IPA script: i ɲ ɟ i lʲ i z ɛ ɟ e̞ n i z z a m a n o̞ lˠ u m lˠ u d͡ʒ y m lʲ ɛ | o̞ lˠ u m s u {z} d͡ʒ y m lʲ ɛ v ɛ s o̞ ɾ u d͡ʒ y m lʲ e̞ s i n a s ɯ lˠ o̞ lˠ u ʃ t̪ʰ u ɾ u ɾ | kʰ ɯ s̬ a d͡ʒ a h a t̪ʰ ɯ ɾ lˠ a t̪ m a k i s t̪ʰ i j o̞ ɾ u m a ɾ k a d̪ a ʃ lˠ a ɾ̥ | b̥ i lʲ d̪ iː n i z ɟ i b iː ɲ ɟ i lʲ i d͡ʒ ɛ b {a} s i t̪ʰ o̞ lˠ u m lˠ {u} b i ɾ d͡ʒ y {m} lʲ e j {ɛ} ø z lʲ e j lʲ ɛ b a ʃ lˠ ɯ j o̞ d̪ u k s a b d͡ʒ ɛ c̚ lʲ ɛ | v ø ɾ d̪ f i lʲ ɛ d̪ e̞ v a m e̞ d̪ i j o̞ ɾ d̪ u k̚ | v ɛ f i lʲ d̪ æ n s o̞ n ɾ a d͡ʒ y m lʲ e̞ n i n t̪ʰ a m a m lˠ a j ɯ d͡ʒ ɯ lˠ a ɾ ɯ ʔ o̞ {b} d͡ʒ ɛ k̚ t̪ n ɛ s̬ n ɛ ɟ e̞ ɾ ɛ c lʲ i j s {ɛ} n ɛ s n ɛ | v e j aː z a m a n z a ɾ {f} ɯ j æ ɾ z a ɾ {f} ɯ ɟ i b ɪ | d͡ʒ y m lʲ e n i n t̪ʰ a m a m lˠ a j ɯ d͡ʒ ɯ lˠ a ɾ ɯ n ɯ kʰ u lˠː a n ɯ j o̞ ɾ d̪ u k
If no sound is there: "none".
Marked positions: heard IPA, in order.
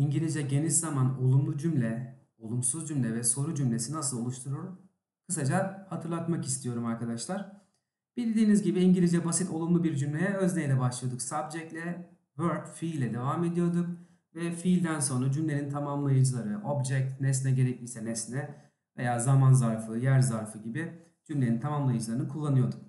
z, a, u, m, ɛ, b, ɛ, f, f

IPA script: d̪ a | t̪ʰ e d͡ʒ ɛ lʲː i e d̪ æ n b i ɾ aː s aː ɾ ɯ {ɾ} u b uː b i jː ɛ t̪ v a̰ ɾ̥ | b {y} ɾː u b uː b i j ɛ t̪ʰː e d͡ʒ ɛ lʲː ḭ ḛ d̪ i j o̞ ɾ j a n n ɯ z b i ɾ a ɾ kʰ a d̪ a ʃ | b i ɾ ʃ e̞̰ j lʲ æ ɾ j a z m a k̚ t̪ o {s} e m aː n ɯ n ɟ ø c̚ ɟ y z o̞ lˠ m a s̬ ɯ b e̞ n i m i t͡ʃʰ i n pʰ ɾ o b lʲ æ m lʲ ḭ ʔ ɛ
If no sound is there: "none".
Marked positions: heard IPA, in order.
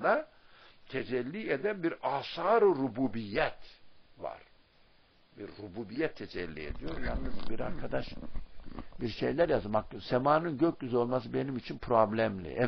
ɾ, i, s

